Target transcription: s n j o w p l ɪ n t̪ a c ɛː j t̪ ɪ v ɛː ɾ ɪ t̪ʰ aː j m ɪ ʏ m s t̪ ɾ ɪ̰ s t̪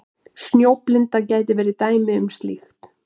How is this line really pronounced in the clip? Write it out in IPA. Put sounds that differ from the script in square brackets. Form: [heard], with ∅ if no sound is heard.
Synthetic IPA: s n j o w p l ɪ n t̪ a c [aː] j t̪ ɪ v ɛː ɾ ɪ [t̪] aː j m ɪ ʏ m s t̪ [l] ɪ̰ [x] t̪